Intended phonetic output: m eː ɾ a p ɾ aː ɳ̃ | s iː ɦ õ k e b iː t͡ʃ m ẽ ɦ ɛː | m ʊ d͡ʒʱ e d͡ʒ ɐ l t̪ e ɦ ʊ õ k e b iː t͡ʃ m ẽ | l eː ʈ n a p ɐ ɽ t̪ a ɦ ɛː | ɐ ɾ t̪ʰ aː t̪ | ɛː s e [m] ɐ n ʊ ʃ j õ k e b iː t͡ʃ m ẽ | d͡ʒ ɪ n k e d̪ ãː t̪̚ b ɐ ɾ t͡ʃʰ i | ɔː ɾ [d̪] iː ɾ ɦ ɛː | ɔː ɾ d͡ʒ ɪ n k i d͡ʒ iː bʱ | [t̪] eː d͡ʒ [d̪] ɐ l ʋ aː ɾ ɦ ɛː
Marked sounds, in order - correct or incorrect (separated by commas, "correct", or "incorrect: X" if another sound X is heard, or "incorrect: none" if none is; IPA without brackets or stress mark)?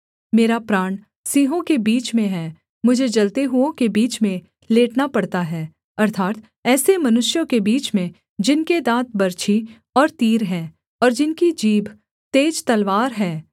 correct, incorrect: t̪, correct, incorrect: t̪